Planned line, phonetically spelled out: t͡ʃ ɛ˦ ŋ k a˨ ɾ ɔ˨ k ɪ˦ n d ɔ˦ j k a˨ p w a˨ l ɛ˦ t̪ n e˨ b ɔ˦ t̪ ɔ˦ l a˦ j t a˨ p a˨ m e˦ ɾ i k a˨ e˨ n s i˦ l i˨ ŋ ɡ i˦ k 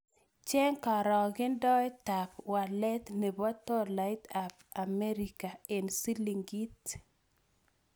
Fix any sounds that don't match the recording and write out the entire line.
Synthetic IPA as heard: t͡ʃ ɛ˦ ŋ k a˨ ɾ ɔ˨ ɡ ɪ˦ n d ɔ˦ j t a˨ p w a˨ l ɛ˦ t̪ n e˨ b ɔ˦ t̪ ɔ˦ l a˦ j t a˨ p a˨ m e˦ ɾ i k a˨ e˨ n s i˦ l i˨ ŋ ɡ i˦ t